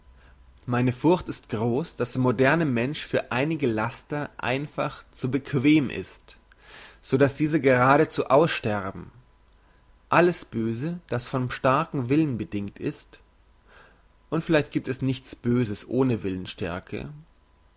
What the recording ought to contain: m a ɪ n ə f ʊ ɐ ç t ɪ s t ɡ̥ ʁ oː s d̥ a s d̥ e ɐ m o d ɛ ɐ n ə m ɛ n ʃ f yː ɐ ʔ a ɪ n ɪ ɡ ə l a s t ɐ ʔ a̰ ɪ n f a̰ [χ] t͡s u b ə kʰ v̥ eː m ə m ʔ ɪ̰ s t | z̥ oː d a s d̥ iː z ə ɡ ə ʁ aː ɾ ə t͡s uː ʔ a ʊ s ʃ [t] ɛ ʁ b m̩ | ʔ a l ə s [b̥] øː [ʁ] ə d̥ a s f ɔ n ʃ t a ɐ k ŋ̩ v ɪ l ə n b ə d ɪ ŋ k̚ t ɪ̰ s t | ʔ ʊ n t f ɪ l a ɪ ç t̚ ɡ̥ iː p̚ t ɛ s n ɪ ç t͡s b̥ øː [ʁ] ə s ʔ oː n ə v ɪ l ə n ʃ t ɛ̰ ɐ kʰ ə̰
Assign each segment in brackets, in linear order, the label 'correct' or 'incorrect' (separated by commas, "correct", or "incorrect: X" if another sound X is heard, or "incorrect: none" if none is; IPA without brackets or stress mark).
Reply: correct, correct, correct, incorrect: z, incorrect: z